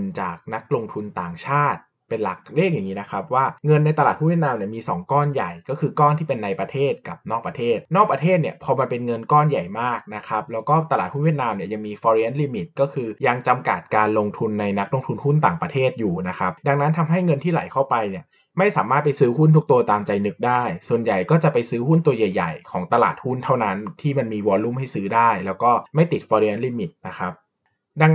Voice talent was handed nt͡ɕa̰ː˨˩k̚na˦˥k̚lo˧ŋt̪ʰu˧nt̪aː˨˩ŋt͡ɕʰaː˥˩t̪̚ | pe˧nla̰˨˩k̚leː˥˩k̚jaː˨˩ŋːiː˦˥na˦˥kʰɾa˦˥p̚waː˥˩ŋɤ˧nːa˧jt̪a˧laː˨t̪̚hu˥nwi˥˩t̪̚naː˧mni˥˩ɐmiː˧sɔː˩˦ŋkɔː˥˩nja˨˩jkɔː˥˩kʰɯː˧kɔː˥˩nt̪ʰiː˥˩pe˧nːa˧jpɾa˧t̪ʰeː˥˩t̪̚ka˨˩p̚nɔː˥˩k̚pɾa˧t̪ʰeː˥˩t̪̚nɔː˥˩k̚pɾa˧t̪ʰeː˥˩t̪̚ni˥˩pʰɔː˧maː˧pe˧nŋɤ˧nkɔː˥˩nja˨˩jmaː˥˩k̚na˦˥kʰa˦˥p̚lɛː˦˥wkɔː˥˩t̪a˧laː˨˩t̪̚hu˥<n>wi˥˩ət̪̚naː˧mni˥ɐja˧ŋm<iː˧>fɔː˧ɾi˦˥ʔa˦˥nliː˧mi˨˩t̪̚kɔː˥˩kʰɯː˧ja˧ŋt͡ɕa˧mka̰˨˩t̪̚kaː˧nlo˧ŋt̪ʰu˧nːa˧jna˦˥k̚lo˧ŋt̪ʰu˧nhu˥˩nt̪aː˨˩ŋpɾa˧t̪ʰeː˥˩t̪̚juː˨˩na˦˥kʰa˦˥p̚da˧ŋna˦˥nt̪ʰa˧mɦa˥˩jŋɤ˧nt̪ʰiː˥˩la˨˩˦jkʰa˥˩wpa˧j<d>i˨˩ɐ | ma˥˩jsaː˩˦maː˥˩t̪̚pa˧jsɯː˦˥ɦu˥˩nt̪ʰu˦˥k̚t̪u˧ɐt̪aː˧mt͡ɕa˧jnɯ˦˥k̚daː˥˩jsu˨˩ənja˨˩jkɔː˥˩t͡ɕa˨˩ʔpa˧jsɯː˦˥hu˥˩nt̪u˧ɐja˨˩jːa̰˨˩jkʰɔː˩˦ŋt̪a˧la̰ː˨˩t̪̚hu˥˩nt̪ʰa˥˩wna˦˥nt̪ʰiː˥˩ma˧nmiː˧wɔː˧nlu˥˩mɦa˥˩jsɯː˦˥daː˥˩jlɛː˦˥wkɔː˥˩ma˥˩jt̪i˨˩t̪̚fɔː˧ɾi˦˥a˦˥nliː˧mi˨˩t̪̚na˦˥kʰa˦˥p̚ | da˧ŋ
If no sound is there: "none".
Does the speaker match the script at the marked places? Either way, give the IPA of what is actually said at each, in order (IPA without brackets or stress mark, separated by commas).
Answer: n, iː˧, n